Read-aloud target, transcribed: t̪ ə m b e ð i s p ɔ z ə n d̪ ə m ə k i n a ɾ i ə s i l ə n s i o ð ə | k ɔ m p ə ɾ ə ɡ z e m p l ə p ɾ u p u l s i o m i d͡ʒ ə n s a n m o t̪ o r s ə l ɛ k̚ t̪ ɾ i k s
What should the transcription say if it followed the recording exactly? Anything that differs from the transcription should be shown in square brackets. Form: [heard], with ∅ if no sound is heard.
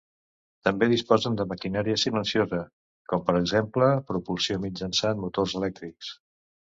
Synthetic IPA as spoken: t̪ ə m b e ð i s p ɔ z ə n d̪ ə m ə k i n a ɾ i ə s i l ə n s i o [z] ə | k ɔ m p ə ɾ ə ɡ z e m p l ə p ɾ u p u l s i o m i d͡ʒ ə n s a n m [u] t̪ o r [z] ə l ɛ k̚ t̪ ɾ i k s